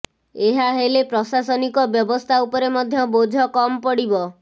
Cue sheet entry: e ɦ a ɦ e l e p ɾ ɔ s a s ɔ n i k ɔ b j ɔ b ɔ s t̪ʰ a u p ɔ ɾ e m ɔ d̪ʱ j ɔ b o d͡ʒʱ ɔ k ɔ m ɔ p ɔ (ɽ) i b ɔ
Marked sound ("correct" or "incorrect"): correct